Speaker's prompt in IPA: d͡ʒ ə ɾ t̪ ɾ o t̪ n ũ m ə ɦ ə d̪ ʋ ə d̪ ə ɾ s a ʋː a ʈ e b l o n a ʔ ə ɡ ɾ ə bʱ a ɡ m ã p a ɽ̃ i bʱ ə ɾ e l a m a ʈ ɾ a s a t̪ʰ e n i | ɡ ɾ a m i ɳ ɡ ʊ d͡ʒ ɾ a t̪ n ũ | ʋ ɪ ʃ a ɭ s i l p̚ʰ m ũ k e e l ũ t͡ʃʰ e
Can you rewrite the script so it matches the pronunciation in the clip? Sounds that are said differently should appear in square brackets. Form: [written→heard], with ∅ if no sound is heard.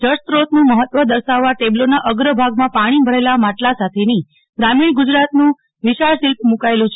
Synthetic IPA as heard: d͡ʒ ə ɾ t̪ ɾ o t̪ n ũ m ə ɦ ə [d̪→t̪] ʋ ə d̪ ə ɾ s a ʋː a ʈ e b l o n a ʔ ə ɡ ɾ ə bʱ a ɡ m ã p a ɽ̃ i bʱ ə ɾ e l a m a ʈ [ɾ→l] a s a t̪ʰ e n i | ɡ ɾ a m i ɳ ɡ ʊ d͡ʒ ɾ a t̪ n ũ | ʋ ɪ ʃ a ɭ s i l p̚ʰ m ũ k [e→a] e l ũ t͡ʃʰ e